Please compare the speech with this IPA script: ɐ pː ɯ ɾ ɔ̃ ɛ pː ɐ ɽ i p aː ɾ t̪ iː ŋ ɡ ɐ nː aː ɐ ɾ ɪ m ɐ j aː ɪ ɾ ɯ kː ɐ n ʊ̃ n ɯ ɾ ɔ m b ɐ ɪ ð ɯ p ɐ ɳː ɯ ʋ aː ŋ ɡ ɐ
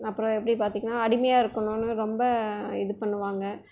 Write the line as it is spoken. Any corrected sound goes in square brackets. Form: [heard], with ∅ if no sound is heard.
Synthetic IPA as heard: ɐ pː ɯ ɾ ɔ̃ ɛ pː ɐ ɽ i p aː ɾ t̪ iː ŋ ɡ ɐ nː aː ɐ [ɽ] ɪ m ɐ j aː ɪ ɾ ɯ kː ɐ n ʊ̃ n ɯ ɾ ɔ m b ɐ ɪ ð ɯ p ɐ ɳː ɯ ʋ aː ŋ ɡ ɐ